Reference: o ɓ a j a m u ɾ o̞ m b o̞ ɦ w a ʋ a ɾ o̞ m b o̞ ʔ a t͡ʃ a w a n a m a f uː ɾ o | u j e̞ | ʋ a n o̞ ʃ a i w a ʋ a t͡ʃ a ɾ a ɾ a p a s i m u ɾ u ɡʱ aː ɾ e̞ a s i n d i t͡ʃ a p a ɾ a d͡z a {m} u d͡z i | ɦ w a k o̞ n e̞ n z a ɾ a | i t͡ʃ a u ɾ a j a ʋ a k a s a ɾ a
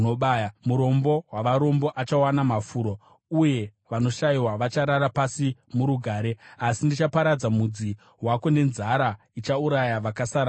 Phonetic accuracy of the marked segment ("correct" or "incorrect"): correct